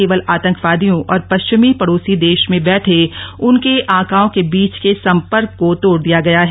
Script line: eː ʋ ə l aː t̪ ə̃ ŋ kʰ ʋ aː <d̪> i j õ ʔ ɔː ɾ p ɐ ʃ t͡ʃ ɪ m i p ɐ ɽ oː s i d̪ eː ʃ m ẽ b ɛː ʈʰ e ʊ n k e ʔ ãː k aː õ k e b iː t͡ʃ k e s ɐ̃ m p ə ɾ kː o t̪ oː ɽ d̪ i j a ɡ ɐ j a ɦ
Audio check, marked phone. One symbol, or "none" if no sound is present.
d̪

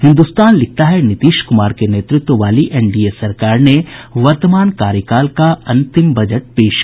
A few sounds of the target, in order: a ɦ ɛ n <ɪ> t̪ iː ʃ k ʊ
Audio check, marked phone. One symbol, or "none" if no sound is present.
ɪ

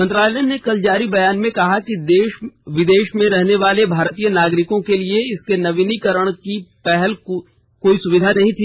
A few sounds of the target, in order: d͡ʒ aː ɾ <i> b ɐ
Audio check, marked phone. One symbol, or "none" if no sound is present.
i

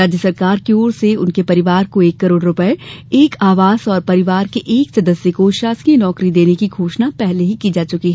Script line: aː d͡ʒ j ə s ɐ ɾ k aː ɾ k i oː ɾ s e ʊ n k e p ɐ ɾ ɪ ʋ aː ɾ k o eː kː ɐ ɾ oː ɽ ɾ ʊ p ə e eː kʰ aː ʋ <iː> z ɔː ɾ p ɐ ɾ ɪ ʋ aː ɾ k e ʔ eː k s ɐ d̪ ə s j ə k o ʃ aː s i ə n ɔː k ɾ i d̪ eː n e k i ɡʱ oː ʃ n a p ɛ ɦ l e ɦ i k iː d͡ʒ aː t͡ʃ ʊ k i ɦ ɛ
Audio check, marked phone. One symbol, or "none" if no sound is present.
aː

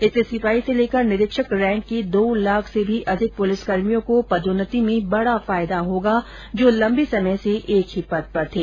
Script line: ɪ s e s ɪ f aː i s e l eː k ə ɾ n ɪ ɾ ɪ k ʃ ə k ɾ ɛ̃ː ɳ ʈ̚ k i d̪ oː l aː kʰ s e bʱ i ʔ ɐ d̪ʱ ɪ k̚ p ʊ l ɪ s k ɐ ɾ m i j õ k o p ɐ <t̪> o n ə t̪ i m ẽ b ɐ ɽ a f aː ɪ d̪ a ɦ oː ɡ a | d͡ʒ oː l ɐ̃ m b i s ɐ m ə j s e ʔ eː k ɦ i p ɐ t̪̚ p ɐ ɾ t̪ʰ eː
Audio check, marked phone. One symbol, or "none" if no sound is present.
d̪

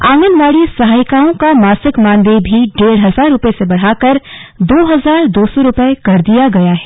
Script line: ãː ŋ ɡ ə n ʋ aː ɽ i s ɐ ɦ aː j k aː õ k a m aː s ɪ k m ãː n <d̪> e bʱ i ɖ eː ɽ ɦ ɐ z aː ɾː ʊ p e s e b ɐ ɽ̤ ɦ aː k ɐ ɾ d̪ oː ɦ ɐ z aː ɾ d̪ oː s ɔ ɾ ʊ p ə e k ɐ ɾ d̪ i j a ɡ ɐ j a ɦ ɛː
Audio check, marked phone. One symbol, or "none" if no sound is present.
d̪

